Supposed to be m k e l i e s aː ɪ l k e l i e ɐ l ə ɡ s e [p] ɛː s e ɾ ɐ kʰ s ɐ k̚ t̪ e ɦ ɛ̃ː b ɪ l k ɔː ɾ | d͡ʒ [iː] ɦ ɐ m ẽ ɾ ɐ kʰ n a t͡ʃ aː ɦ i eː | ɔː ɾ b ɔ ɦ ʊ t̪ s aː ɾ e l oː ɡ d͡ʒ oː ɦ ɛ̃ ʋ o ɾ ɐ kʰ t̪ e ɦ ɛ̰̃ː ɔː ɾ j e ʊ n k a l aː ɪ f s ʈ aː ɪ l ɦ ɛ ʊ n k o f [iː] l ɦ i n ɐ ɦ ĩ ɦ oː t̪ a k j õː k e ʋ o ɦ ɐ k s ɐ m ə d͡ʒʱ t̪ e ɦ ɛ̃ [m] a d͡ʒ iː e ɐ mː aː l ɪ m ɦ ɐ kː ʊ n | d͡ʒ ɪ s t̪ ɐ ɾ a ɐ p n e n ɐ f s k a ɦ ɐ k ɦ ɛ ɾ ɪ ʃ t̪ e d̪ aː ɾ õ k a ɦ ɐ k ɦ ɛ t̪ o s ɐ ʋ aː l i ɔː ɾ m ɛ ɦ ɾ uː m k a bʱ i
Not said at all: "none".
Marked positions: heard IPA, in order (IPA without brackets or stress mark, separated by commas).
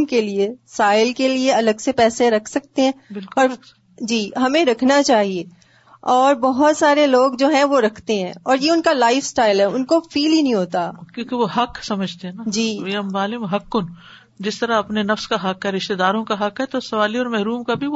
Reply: p, iː, iː, n